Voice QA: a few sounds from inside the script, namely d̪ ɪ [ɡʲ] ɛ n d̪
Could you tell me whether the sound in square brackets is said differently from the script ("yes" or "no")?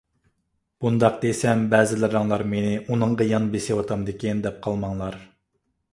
yes